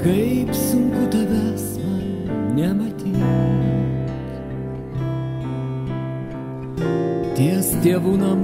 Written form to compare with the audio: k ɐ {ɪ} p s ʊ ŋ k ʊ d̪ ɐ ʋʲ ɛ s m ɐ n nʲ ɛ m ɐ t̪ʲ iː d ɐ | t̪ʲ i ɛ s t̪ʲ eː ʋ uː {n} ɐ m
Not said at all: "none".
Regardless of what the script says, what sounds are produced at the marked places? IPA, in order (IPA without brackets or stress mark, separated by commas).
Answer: ɪ, n